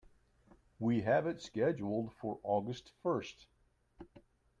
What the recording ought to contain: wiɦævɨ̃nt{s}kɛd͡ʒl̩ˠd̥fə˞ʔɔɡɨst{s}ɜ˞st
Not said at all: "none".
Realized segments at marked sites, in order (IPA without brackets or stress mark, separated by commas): s, f